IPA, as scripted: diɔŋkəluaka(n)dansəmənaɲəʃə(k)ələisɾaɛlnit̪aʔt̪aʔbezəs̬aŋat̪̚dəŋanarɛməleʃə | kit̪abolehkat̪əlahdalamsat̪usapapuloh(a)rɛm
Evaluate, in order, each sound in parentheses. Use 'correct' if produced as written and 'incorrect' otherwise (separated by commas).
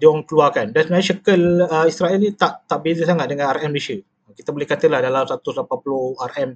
correct, correct, correct